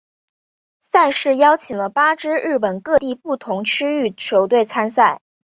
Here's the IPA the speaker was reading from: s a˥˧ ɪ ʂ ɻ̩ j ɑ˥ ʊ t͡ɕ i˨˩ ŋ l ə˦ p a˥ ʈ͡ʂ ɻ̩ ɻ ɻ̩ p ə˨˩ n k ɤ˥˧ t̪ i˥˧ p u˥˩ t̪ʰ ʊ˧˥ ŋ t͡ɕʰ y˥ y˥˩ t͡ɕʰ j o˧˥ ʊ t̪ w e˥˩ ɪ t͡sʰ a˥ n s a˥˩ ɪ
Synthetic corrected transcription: s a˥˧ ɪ ʂ ɻ̩ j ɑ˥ ʊ t͡ɕʰ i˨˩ ŋ l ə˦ p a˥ ʈ͡ʂ ɻ̩ ɻ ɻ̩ p ə˨˩ n k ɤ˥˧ t̪ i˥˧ p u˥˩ t̪ʰ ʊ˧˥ ŋ t͡ɕʰ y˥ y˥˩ t͡ɕʰ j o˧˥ ʊ t̪ w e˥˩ ɪ t͡sʰ a˥ n s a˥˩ ɪ